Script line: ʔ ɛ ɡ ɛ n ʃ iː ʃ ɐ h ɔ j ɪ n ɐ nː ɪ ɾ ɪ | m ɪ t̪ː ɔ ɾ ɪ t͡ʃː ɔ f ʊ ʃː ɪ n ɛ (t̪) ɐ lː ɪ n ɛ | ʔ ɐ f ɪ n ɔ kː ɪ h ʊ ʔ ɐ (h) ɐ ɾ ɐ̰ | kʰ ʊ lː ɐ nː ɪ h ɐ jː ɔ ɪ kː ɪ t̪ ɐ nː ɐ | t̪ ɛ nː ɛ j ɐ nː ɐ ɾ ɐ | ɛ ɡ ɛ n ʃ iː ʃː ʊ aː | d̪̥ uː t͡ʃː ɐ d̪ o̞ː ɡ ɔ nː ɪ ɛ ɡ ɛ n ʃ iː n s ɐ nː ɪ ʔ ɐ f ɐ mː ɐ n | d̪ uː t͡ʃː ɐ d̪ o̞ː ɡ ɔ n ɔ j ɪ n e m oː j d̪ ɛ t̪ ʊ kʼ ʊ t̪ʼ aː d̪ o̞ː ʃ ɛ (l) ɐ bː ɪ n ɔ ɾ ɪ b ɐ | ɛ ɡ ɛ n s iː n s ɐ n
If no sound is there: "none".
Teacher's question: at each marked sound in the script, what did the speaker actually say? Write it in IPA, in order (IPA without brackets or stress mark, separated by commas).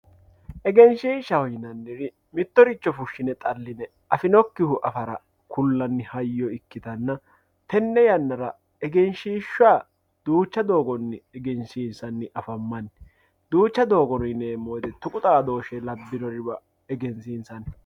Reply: t̪ʼ, f, l